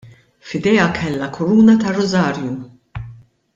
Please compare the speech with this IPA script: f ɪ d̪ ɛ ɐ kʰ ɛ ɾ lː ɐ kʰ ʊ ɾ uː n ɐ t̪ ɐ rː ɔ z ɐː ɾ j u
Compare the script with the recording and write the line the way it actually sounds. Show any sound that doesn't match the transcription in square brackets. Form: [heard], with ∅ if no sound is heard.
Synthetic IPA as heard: f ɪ d̪ ɛ ɐ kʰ ɛ [∅] lː ɐ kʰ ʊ ɾ uː n ɐ t̪ ɐ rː ɔ z ɐː ɾ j u